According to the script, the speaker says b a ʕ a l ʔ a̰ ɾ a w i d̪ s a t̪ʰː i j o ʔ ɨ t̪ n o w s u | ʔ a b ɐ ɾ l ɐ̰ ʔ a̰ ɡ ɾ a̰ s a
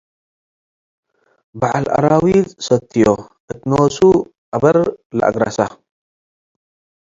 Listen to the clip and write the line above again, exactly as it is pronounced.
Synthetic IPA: b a ʕ a l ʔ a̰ ɾ a w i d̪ s ɐ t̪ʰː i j o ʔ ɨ t̪ n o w s u | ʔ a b ɐ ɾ l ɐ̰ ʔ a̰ ɡ ɾ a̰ s a